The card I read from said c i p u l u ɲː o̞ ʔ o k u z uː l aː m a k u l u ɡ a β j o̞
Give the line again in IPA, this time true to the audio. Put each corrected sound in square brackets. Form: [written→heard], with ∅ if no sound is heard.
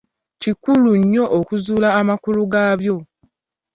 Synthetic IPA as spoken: c i [p→k] u l u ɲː o̞ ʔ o k u z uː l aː m a k u l u ɡ a β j o̞